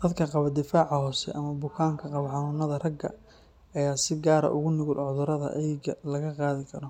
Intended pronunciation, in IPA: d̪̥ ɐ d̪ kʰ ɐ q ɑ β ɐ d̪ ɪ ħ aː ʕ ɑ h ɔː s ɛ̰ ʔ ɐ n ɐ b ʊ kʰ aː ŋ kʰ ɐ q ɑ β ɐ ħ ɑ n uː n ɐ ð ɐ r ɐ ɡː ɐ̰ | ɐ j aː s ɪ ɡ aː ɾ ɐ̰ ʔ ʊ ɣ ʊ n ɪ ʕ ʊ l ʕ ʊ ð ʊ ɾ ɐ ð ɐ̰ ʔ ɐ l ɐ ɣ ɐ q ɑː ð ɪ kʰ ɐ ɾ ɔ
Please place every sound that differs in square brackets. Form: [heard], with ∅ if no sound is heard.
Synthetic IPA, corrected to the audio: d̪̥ ɐ d̪ kʰ ɐ q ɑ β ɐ d̪ ɪ [f] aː ʕ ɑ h ɔː s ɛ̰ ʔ ɐ [m] ɐ b ʊ kʰ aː ŋ kʰ ɐ q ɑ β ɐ ħ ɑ n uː n ɐ ð ɐ r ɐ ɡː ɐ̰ | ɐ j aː s ɪ ɡ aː ɾ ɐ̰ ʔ ʊ ɣ ʊ n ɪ [ɣ] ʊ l ʕ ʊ ð ʊ ɾ ɐ ð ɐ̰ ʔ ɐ l ɐ ɣ ɐ q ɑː ð ɪ kʰ ɐ ɾ ɔ